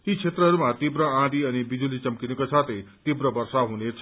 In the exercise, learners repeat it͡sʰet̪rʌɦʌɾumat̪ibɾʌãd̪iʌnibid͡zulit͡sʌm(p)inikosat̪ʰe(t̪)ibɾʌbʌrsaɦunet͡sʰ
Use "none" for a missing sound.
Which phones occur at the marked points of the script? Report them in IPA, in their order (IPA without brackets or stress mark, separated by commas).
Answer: k, t̪